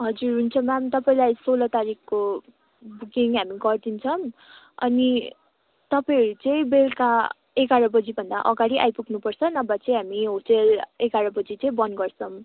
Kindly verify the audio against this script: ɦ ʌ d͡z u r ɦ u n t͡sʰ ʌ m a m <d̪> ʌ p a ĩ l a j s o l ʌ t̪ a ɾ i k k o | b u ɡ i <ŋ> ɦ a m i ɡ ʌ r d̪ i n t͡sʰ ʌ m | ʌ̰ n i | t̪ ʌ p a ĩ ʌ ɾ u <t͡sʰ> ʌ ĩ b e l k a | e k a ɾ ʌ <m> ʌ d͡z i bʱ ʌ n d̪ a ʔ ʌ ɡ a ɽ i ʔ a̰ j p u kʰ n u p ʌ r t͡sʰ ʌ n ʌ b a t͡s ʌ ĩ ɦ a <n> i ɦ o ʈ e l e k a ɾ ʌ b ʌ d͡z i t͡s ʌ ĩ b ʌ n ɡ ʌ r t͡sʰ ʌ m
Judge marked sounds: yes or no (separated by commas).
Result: no, yes, no, no, no